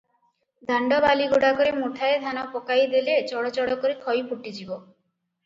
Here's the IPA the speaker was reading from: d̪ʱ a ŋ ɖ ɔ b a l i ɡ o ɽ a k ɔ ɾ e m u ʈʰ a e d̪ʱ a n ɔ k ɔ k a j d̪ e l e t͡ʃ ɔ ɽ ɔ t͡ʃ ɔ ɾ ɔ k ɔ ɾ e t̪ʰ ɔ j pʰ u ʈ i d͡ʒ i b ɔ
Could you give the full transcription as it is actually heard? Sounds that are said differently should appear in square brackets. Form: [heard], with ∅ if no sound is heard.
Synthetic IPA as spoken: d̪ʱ a [ɳ] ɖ ɔ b a l i ɡ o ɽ a k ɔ ɾ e m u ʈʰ a e d̪ʱ a n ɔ [p] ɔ k a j d̪ e l e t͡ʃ ɔ ɽ ɔ t͡ʃ ɔ [ɽ] ɔ k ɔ ɾ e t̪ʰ ɔ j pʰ u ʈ i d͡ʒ i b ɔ